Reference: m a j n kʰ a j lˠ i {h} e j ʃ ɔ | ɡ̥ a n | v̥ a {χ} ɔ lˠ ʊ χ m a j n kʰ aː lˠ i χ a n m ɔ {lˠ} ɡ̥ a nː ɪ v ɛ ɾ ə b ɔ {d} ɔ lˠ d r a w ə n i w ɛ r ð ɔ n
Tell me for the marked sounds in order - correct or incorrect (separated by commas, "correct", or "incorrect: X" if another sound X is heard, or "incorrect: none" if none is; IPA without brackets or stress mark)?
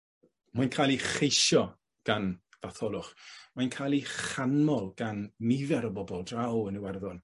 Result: incorrect: χ, incorrect: θ, correct, incorrect: b